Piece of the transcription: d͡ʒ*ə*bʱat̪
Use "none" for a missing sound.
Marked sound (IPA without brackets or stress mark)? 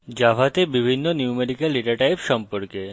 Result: a